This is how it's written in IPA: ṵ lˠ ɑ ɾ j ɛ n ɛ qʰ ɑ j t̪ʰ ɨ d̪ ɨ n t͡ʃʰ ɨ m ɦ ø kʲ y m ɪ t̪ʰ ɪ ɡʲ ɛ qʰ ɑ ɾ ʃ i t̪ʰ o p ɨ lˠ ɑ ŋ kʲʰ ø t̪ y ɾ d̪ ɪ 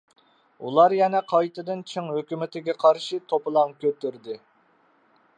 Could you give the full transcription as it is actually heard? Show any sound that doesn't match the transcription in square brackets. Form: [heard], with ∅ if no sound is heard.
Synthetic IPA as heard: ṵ lˠ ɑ ɾ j ɛ n ɛ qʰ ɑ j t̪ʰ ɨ d̪ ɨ n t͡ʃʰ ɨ [ŋ] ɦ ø kʲ y m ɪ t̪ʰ ɪ ɡʲ ɛ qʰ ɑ ɾ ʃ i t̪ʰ o p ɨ lˠ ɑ ŋ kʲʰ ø t̪ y ɾ d̪ ɪ